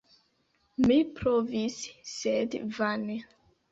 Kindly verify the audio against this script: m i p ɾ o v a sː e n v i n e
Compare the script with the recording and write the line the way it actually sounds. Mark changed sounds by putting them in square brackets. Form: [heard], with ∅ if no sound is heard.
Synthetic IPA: m i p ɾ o v [i] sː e [d] v [a] n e